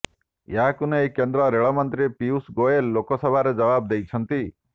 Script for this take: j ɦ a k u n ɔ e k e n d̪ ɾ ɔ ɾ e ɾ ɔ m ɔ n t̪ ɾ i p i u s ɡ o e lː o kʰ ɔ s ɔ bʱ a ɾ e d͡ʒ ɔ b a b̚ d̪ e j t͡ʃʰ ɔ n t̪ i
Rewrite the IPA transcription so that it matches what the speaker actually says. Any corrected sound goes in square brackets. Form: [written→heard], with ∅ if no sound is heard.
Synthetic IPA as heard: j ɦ a k u n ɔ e k e n d̪ ɾ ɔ ɾ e [ɾ→ɭ] ɔ m ɔ n t̪ ɾ i p i u s ɡ o e lː o [kʰ→k] ɔ s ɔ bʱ a ɾ e d͡ʒ ɔ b a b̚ d̪ e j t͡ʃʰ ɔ n t̪ i